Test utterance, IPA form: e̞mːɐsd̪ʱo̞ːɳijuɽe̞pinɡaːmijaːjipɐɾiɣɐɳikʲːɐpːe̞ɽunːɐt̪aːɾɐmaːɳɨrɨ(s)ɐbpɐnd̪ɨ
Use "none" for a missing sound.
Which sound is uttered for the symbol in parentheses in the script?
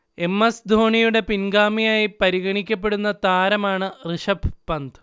ʂ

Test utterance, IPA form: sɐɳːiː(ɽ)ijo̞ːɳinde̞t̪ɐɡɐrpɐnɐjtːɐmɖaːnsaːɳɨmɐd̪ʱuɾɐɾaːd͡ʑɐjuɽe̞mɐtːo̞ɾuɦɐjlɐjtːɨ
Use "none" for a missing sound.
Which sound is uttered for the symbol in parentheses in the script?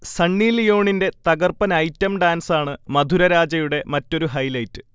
l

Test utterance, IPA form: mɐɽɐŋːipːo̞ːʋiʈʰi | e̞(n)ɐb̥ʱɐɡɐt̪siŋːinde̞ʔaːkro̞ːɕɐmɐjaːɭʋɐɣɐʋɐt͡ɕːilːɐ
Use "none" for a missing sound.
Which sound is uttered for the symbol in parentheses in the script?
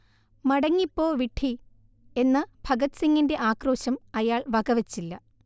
nː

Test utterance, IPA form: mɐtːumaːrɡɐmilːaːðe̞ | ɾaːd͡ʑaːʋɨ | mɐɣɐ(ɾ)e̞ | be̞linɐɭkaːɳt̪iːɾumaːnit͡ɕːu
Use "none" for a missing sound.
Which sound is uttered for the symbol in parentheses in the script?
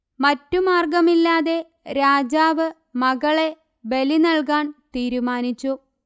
ɭ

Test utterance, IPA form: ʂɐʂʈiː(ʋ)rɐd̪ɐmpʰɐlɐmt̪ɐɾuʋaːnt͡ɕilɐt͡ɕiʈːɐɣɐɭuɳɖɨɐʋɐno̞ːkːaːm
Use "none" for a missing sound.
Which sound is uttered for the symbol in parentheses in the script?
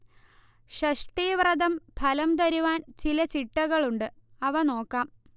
ʋ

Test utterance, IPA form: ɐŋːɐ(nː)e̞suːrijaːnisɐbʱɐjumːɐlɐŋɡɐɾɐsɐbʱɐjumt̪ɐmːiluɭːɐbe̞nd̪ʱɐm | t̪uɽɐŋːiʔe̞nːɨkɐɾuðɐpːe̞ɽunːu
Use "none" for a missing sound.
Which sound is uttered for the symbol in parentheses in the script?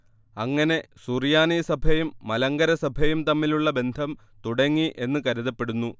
n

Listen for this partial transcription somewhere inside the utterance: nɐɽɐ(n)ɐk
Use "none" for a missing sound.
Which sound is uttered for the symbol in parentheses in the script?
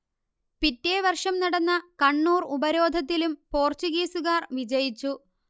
nː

